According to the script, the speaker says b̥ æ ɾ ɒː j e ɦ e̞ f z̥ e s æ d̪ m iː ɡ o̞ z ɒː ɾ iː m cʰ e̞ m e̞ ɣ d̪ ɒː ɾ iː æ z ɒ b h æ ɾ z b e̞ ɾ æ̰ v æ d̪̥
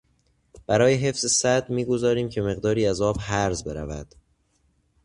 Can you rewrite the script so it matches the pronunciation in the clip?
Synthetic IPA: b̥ æ ɾ ɒː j e ɦ e̞ f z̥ e s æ d̪ m iː ɡ o̞ z ɒː ɾ iː m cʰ e̞ m e̞ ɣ d̪ ɒː ɾ iː æ z ɒː b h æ ɾ z b e̞ ɾ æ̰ v æ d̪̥